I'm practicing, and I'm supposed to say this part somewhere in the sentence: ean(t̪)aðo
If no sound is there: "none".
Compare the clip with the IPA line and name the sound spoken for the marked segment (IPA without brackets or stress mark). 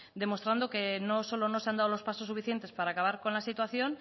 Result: d̪